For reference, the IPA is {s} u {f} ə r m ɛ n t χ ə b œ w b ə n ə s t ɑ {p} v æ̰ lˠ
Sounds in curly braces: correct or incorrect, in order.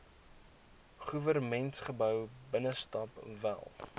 incorrect, incorrect, correct

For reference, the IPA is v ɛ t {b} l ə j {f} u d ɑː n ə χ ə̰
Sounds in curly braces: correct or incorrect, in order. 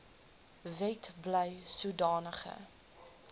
correct, incorrect

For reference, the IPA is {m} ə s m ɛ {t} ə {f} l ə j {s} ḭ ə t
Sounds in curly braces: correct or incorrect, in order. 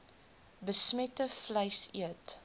incorrect, correct, correct, correct

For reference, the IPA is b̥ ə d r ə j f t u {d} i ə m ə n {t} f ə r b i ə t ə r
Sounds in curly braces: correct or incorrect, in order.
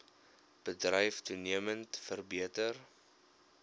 incorrect, correct

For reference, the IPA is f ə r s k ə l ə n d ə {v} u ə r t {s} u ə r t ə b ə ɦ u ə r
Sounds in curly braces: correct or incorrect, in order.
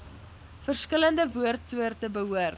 correct, correct

